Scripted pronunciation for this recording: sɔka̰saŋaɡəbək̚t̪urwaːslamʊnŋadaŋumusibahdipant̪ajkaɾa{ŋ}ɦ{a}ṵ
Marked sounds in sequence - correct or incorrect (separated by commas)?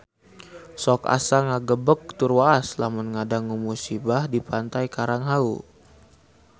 correct, correct